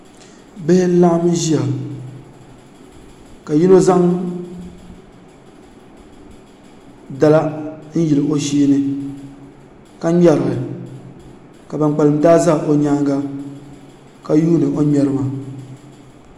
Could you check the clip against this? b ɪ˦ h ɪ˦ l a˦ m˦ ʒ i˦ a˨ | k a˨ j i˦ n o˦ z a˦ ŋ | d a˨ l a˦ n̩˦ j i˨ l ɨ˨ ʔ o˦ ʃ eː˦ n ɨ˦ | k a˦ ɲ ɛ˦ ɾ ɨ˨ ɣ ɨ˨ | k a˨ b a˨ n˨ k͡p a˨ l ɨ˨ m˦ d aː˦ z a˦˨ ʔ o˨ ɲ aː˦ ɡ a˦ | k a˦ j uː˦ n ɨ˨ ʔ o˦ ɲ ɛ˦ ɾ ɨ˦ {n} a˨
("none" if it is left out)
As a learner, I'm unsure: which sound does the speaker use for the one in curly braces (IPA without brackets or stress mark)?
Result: m